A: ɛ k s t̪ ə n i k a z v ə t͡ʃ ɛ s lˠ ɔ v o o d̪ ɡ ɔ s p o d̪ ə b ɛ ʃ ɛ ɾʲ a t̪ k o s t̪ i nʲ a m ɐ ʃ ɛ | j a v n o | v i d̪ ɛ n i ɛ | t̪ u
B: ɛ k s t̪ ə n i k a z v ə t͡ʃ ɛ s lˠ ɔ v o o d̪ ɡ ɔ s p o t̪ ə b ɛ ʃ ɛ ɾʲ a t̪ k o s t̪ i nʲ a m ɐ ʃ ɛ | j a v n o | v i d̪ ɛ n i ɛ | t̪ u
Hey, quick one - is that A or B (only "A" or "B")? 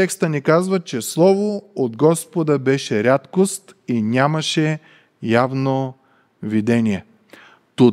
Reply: A